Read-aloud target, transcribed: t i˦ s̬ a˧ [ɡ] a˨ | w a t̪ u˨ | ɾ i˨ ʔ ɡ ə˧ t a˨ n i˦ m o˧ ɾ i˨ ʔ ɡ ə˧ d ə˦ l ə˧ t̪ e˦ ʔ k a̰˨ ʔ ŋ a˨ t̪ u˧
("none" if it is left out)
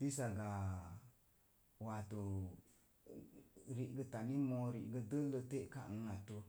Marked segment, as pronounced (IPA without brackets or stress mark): ɡ